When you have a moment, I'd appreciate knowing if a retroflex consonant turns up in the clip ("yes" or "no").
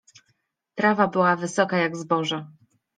yes